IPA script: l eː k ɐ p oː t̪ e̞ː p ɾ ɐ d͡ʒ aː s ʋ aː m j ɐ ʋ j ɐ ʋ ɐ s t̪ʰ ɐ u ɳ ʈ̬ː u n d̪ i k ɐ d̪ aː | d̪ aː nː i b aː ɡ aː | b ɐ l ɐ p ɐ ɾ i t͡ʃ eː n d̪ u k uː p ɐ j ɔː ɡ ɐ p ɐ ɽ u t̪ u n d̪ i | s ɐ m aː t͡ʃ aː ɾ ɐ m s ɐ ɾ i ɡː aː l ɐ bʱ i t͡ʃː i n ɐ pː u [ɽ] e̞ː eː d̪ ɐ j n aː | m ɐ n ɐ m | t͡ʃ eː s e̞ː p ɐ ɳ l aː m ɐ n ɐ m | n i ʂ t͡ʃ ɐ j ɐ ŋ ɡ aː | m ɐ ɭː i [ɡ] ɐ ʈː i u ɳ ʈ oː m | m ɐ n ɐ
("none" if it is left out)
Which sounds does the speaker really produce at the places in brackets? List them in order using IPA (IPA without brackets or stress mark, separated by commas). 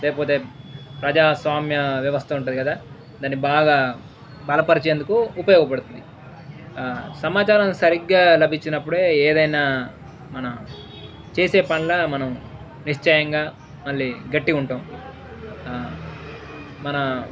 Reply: ɽ, ɡ